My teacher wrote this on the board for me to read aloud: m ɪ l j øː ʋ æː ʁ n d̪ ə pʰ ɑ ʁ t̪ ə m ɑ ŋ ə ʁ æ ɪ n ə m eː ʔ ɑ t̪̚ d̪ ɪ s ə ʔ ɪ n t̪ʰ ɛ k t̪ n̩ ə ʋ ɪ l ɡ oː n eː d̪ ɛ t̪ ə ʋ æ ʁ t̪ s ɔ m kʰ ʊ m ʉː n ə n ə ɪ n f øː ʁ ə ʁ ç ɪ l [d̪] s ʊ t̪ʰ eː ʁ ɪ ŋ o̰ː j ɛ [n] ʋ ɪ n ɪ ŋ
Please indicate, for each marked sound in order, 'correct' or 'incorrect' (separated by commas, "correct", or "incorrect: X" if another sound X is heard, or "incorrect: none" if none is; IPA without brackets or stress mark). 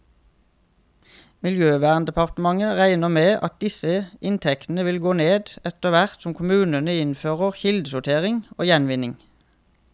correct, correct